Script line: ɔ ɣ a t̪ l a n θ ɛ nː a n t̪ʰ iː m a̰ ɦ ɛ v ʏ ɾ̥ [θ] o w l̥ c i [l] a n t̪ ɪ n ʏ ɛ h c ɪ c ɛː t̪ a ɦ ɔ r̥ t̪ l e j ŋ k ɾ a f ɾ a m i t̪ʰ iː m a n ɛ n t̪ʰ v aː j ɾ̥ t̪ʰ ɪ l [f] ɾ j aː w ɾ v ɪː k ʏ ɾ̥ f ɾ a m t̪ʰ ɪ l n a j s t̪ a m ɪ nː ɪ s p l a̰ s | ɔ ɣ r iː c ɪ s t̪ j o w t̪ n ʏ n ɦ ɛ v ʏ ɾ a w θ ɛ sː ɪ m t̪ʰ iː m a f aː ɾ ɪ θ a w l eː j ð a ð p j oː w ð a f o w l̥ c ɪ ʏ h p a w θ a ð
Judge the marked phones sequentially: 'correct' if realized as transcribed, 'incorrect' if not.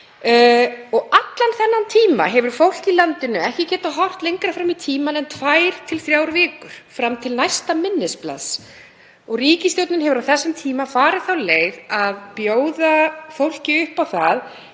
incorrect, correct, incorrect

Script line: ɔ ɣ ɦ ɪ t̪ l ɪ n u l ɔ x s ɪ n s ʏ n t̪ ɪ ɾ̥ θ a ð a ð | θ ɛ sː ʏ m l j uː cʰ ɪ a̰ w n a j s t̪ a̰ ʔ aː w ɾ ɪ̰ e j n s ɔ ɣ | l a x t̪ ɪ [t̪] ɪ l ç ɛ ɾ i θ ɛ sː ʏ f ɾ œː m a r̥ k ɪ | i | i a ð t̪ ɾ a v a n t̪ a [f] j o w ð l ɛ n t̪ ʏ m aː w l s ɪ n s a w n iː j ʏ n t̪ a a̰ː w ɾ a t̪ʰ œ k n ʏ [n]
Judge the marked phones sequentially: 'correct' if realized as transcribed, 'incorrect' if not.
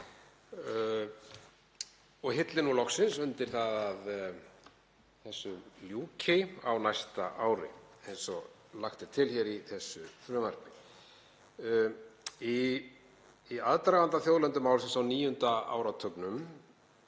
incorrect, incorrect, incorrect

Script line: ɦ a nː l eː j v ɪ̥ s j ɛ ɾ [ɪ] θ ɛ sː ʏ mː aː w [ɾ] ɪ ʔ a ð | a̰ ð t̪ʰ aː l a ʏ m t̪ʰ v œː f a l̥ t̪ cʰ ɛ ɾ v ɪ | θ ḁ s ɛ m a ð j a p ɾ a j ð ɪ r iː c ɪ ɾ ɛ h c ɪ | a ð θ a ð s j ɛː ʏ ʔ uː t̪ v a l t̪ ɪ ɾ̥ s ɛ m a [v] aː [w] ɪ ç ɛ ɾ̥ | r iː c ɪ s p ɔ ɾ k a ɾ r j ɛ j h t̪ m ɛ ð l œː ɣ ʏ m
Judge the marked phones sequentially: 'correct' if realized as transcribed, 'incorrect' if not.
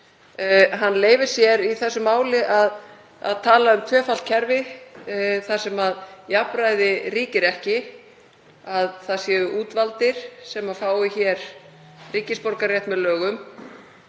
incorrect, incorrect, incorrect, correct

